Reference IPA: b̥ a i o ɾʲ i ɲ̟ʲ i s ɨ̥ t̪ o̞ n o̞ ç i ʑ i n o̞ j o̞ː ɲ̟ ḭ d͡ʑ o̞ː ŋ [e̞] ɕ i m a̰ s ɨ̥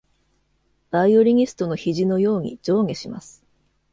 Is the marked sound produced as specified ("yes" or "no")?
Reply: yes